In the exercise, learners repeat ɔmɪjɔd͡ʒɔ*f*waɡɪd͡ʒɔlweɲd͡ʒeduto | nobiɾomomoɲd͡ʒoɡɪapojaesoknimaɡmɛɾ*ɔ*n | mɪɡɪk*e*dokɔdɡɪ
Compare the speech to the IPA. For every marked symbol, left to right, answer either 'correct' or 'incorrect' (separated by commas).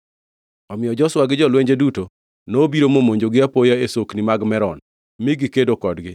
incorrect, correct, correct